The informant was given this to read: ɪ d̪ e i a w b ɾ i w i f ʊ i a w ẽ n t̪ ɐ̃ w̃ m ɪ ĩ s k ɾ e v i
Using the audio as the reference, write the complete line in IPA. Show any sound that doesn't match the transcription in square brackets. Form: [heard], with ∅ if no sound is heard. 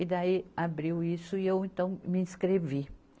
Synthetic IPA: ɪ d̪ [a] i a [∅] b ɾ i w i [s] ʊ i [e] w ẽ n t̪ ɐ̃ w̃ m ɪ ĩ s k ɾ e v i